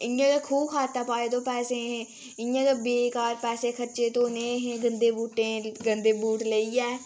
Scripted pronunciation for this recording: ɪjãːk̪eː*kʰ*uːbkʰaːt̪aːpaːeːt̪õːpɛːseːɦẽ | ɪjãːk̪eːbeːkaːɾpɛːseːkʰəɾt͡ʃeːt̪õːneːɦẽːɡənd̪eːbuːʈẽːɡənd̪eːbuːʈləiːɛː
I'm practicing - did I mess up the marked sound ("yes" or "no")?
no